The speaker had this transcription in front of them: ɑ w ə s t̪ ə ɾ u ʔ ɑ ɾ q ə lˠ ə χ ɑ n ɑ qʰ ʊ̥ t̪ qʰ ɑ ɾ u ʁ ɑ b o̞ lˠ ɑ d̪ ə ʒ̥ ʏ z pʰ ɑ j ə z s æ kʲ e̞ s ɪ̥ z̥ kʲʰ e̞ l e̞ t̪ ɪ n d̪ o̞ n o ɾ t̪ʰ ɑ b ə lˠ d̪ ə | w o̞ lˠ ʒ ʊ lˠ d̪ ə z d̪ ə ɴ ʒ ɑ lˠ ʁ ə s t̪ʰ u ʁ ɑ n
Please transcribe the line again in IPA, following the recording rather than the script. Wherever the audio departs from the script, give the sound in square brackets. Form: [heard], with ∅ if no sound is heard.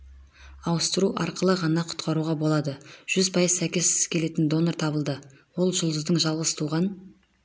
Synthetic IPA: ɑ w ə s t̪ ə ɾ u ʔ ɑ ɾ q ə lˠ ə [ʁ] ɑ n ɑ qʰ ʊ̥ t̪ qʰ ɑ ɾ u ʁ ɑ b o̞ lˠ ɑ d̪ ə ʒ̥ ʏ z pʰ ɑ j ə z s æ kʲ e̞ s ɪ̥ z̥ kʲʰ e̞ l e̞ t̪ ɪ n d̪ o̞ n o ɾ t̪ʰ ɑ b ə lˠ d̪ ə | w o̞ lˠ ʒ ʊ lˠ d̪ ə z d̪ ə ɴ ʒ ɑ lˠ ʁ ə s t̪ʰ u ʁ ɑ n